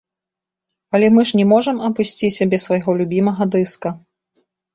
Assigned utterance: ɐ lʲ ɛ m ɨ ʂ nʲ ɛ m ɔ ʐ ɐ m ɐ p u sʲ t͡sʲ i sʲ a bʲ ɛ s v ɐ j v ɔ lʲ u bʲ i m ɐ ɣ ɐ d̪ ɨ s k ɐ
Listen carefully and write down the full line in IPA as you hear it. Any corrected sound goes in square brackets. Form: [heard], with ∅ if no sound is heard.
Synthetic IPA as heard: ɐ lʲ ɛ m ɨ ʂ nʲ ɛ m ɔ ʐ ɐ m ɐ p u sʲ t͡sʲ i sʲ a bʲ ɛ s v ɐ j [ɣ] ɔ lʲ u bʲ i m ɐ ɣ ɐ d̪ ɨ s k ɐ